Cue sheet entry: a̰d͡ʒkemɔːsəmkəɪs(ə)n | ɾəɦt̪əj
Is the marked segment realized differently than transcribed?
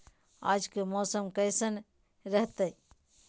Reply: no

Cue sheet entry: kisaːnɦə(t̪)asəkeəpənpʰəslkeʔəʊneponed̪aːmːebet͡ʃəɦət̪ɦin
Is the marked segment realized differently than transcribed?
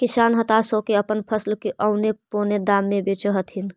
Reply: no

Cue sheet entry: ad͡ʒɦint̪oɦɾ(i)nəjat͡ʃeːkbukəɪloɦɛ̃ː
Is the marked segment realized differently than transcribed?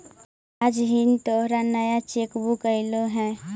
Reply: yes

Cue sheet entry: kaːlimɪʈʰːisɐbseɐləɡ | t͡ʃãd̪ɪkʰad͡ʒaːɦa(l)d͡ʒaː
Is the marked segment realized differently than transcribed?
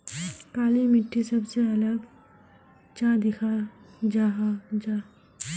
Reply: yes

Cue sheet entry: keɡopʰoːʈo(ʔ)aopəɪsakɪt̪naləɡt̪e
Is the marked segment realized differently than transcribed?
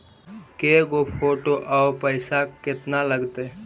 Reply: no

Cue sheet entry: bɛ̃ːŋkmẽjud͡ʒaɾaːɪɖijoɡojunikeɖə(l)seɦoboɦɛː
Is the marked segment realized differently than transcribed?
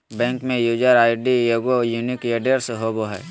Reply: yes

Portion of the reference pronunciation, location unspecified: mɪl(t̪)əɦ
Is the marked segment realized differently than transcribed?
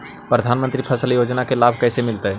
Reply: no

